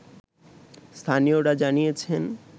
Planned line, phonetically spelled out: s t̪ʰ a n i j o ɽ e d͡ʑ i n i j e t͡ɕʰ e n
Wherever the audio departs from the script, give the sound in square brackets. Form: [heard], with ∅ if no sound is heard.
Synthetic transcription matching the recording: s t̪ʰ a n i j o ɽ [a] d͡ʑ [a] n i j e t͡ɕʰ e n